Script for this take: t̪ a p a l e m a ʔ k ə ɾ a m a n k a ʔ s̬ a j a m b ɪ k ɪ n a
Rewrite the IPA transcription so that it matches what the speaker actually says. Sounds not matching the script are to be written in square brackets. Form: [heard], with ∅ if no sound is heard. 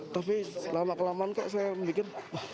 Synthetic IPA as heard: t̪ a p [i] l [a] m a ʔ k ə [l] a m a n k a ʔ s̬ a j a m b [i] k ɪ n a